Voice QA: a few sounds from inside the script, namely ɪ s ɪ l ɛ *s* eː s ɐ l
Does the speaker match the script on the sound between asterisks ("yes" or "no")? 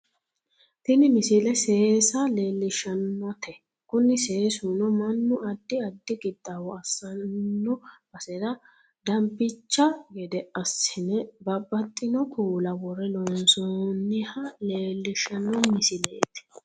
yes